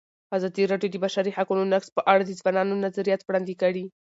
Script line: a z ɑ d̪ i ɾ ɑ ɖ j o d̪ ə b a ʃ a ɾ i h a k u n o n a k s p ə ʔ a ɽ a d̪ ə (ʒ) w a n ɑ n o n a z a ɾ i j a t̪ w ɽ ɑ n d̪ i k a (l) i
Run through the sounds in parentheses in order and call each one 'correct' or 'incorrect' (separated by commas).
incorrect, incorrect